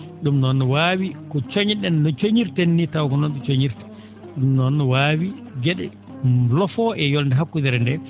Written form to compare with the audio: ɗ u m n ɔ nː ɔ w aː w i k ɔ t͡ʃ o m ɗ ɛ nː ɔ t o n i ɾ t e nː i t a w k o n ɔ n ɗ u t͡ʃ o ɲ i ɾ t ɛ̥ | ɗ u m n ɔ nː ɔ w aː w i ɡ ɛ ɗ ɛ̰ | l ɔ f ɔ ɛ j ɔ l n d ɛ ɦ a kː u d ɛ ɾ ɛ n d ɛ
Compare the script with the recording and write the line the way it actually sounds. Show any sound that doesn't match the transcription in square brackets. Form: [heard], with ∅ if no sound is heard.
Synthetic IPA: ɗ u m n ɔ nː ɔ w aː w i k ɔ t͡ʃ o [ɲ] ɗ ɛ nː ɔ [t͡ʃ] o [ɲ] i ɾ t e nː i t a w k [ɔ] n ɔ n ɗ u t͡ʃ o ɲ i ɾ t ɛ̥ | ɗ u m n ɔ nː ɔ w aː w i ɡ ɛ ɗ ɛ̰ | l ɔ f ɔ ɛ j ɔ l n d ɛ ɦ a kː u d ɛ ɾ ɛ n d ɛ